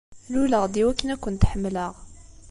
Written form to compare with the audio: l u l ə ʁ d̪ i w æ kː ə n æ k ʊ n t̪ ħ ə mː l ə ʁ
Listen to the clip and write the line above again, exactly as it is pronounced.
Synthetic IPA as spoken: l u l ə ʁ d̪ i w æ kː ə n æ k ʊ n t̪ ħ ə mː l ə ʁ